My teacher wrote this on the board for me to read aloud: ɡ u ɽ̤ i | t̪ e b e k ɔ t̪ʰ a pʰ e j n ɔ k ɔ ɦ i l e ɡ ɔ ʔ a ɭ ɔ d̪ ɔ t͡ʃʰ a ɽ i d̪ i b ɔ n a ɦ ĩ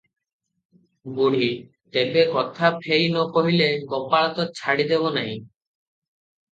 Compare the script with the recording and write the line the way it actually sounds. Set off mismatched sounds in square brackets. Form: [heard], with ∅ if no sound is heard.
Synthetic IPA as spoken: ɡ u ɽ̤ i | t̪ e b e k ɔ t̪ʰ a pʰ e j n ɔ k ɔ ɦ i l e ɡ ɔ [p] a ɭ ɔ [t̪] ɔ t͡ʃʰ a ɽ i d̪ [e] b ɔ n a ɦ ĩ